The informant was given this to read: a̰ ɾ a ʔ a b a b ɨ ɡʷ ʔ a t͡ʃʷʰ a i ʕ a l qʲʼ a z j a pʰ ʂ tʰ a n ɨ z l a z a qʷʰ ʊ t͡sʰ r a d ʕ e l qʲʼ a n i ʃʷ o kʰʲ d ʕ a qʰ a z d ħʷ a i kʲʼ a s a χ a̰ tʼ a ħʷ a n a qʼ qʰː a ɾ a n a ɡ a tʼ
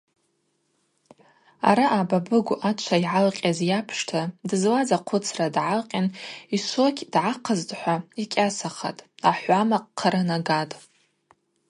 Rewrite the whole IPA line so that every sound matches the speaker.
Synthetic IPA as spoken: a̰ ɾ a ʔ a b a b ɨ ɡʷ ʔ a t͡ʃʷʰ a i ʕ a l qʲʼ a z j a pʰ ʂ tʰ a d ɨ z l a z a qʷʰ ʊ t͡sʰ r a d ʕ a l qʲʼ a n i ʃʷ o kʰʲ d ʕ a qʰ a z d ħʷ a i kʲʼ a s a χ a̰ tʼ a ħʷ a m a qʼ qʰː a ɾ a n a ɡ a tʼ